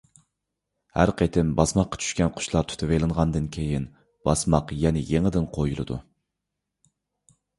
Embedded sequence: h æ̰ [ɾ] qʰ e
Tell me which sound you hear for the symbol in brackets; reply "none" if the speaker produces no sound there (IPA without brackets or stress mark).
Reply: ɾ